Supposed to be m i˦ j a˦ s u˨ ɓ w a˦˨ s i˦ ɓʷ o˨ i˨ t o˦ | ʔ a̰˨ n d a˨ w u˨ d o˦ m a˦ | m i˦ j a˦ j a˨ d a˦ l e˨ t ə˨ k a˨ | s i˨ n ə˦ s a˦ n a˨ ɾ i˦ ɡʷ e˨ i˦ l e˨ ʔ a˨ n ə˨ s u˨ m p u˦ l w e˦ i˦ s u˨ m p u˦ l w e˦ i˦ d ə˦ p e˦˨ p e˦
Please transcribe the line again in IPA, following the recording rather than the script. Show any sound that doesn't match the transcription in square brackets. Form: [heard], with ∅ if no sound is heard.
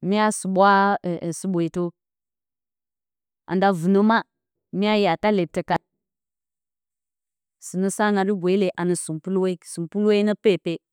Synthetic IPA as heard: m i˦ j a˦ s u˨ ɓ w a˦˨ s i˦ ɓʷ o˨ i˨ t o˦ | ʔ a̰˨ n d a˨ [v] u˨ [n] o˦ m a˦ | m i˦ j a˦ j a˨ [t] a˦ l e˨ t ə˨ k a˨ | s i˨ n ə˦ s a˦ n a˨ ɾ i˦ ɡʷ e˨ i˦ l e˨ ʔ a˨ n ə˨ s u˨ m p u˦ l w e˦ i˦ s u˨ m p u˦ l w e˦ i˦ [n] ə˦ p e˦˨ p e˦